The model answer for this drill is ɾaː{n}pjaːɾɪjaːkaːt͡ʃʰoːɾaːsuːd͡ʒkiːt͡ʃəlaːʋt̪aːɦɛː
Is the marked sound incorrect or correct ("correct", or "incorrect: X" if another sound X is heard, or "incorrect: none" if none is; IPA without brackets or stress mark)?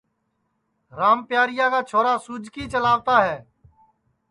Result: incorrect: m